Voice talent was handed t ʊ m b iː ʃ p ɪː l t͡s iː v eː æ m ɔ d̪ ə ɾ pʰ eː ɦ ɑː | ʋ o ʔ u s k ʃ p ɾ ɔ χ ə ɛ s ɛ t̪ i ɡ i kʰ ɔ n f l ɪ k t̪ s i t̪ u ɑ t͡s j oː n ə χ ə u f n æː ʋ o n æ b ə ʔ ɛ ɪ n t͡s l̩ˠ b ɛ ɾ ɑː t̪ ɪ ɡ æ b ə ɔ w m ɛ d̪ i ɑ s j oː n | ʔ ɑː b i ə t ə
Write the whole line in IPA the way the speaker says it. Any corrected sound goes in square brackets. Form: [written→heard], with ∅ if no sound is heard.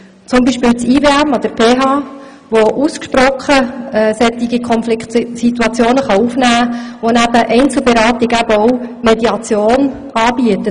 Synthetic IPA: [t→t͡s] ʊ m b iː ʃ p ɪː l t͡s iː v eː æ m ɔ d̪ ə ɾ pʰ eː ɦ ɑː | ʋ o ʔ u s k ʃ p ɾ ɔ χ ə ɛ s ɛ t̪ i ɡ i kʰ ɔ n f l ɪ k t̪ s i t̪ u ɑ t͡s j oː n ə χ [ə→ɑ] u f n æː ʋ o n æ b ə ʔ ɛ ɪ n t͡s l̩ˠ b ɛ ɾ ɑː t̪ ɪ ɡ æ b ə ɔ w m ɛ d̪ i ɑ [s→t͡s] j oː n | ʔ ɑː b i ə t ə

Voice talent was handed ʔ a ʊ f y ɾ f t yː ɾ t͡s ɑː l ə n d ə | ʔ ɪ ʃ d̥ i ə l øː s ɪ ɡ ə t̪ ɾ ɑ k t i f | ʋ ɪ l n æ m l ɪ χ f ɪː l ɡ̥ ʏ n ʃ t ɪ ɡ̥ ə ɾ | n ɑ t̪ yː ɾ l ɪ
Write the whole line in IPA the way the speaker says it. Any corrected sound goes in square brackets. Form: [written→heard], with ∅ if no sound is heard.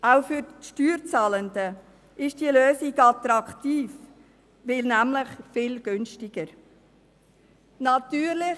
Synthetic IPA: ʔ a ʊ f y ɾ [f→ʃ] t yː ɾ t͡s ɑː l ə n d ə | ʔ ɪ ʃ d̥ i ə l øː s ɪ ɡ [ə→ɑ] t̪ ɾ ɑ k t [i→iː] f | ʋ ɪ l n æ m l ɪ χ f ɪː l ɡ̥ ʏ n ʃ t ɪ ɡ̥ ə ɾ | n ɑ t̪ yː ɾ l ɪ

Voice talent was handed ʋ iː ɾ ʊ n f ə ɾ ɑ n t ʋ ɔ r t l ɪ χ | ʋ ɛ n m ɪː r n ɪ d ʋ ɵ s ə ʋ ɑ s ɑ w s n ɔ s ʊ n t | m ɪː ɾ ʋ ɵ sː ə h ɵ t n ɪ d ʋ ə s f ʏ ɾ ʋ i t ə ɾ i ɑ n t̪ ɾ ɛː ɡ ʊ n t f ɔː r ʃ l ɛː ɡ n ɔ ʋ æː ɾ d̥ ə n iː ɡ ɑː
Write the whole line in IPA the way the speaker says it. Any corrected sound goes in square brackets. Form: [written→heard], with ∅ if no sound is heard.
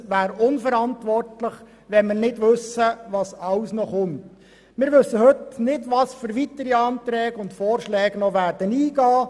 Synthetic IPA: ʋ [iː→æː] ɾ ʊ n f ə ɾ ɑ n t ʋ ɔ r t l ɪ χ | ʋ ɛ n m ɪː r n ɪ d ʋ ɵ s ə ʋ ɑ s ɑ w s n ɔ [s→χ] ʊ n t | m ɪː ɾ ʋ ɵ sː ə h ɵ t n ɪ d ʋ [ə→ɑ] s f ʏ ɾ ʋ i t ə ɾ i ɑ n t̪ ɾ ɛː ɡ ʊ n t f ɔː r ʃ l ɛː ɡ n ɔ ʋ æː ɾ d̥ ə n iː ɡ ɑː

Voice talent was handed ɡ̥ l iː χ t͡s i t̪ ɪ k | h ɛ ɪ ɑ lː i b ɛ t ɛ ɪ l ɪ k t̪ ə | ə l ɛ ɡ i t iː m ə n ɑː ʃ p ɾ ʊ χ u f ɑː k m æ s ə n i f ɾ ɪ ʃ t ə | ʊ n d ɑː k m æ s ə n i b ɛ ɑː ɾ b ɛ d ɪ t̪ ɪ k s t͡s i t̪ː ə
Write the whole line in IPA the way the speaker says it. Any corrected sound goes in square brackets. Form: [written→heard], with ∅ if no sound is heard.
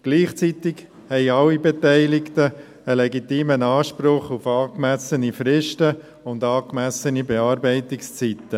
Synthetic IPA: ɡ̥ l iː χ t͡s i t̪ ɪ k | h ɛ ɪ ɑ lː i b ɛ t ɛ ɪ l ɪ k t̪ ə | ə l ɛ ɡ i t iː m ə n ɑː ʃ p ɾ ʊ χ u f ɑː k m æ s ə n i f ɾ ɪ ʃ t ə | ʊ n d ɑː k m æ s ə n i b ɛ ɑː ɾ b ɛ [d→∅] ɪ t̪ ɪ k s t͡s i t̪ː ə

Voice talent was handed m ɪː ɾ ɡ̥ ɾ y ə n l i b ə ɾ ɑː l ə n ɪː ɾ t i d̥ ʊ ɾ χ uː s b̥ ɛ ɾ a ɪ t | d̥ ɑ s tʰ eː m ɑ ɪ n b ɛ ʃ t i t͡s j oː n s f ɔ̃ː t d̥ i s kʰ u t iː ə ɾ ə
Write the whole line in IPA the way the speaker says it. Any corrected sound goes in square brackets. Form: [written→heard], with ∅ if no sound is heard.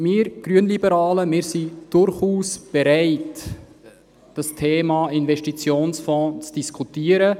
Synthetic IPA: m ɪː ɾ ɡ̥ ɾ y ə n l i b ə ɾ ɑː l ə [n→m] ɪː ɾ [t→s] i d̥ ʊ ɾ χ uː s b̥ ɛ ɾ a ɪ t | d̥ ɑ s tʰ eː m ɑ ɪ n [b→v] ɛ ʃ t i t͡s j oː n s f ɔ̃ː [t→t͡s] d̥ i s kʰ u t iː ə ɾ ə

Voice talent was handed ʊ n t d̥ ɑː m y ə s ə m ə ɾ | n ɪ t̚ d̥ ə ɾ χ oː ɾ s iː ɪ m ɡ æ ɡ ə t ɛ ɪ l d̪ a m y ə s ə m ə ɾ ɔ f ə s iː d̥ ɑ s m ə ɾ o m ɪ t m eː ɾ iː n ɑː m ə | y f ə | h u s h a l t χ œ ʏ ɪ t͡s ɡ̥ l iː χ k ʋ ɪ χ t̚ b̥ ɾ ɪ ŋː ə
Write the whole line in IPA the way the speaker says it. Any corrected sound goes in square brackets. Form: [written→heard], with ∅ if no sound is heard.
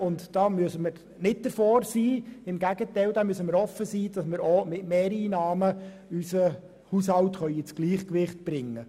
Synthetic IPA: ʊ n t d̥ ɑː m y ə s ə m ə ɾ | n ɪ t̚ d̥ ə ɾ [χ→f] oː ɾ s iː ɪ m ɡ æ ɡ ə t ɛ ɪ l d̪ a m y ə s ə m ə ɾ ɔ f ə s iː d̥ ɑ s m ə ɾ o m ɪ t m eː ɾ iː n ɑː m ə | y [f→s] ə | h u s h [a→ɑ] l t χ œ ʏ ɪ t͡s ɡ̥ l iː χ k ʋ ɪ χ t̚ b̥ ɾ ɪ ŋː ə

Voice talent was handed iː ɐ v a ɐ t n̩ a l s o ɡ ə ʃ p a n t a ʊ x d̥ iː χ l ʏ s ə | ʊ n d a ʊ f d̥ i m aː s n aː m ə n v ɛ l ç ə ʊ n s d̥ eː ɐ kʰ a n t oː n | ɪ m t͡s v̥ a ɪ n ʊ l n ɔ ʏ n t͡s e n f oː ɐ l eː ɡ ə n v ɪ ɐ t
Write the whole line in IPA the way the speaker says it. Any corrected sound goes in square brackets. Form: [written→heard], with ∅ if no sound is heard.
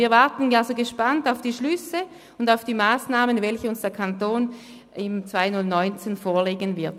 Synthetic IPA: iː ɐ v a ɐ t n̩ a l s o ɡ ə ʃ p a n t a ʊ [x→f] d̥ iː [χ→ʃ] l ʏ s ə | ʊ n d a ʊ f d̥ [i→iː] m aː s n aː m ə n v ɛ l ç ə ʊ n s d̥ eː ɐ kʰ a n t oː n | ɪ m t͡s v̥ a ɪ n ʊ l n ɔ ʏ n t͡s e n f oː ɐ l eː ɡ ə n v ɪ ɐ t

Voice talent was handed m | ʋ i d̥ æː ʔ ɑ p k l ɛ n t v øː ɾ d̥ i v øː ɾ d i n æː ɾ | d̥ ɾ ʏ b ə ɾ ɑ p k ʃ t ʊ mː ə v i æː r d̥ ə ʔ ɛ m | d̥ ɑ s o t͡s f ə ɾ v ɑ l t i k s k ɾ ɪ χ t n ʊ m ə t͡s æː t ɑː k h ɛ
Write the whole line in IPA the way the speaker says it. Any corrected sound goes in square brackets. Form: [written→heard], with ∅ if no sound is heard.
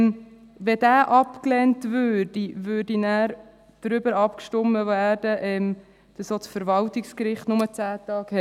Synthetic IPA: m | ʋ [i→ɛ] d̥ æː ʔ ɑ p k l ɛ n t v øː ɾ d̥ i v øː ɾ d i n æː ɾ | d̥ ɾ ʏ b ə ɾ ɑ p k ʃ t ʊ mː ə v [i→æ] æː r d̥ ə ʔ ɛ m | d̥ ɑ s o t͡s f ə ɾ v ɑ l t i k s k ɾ ɪ χ t n ʊ m ə t͡s æː t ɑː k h ɛ

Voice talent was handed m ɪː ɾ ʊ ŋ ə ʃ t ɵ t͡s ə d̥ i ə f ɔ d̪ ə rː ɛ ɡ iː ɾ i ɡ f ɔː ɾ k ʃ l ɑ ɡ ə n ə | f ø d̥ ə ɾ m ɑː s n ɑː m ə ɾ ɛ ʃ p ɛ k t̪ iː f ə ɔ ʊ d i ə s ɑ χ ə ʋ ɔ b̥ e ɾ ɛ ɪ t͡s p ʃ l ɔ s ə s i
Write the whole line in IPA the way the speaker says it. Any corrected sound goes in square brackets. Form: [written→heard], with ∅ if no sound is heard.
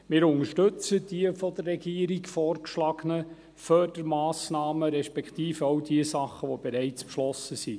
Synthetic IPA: m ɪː ɾ ʊ ŋ ə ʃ t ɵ t͡s ə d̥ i ə f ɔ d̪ ə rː ɛ ɡ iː ɾ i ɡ f ɔː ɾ k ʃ l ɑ ɡ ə n ə | f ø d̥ ə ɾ m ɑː s n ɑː m ə ɾ ɛ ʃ p ɛ k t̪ iː f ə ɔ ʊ d i ə s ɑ χ ə ʋ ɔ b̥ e ɾ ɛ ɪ t͡s p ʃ l ɔ s ə s i

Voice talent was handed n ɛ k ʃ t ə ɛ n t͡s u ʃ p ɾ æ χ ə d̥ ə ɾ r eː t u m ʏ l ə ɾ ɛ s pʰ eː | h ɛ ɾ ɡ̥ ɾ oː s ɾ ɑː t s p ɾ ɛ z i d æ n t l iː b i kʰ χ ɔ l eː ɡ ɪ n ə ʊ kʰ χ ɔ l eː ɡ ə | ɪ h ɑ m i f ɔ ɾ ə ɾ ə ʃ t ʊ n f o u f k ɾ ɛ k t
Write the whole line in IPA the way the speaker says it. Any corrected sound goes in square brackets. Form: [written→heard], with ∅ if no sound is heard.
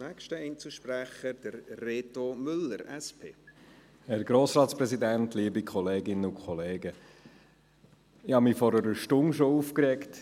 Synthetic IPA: n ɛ k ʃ t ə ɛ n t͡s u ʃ p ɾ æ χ ə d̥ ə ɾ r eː t [u→o] m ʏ l ə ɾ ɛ s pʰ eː | h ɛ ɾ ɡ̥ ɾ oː s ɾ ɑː t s p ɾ ɛ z i d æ n t l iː b i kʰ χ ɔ l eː ɡ ɪ n ə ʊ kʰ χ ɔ l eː ɡ ə | ɪ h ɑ m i f ɔ ɾ ə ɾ ə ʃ t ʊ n [f→ʃ] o u f k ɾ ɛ k t

